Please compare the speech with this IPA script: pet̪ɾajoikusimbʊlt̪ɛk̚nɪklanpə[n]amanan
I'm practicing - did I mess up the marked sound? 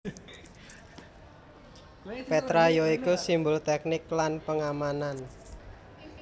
yes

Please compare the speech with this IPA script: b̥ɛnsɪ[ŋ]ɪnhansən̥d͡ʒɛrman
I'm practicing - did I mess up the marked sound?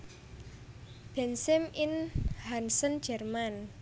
yes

